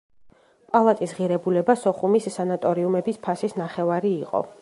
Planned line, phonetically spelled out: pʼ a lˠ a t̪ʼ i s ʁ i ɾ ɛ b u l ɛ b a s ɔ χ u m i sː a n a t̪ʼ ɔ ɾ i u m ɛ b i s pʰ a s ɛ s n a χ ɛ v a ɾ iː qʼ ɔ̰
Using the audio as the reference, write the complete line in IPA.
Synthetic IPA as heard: pʼ a lˠ a t̪ʼ i s ʁ i ɾ ɛ b u l ɛ b a s ɔ χ u m i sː a n a t̪ʼ ɔ ɾ i u m ɛ b i s pʰ a s i s n a χ ɛ v a ɾ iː qʼ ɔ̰